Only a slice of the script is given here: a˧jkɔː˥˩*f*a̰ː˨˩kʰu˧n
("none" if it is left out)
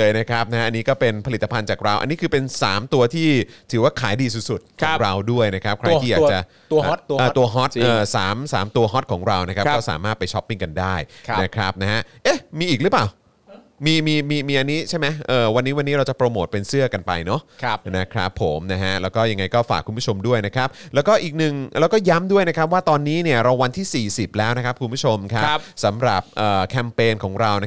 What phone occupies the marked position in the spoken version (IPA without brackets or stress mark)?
f